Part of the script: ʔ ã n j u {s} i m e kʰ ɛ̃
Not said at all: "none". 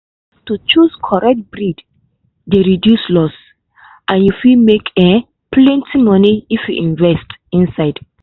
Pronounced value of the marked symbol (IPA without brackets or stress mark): f